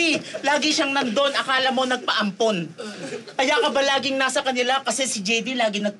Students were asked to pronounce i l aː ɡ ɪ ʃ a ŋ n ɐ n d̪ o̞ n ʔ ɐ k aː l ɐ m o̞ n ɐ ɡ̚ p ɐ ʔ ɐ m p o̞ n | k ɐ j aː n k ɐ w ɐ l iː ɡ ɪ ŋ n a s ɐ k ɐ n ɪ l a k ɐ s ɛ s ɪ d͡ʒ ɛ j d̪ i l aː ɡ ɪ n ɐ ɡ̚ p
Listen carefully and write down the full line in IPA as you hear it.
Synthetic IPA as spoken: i l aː ɡ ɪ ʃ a ŋ n ɐ n d̪ o̞ n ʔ ɐ k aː l ɐ m o̞ n ɐ ɡ̚ p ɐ ʔ ɐ m p o̞ n | k ɐ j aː k ɐ b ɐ l aː ɡ ɪ ŋ n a s ɐ k ɐ n ɪ l a k ɐ s ɛ s ɪ d͡ʒ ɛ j d̪ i l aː ɡ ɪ n ɐ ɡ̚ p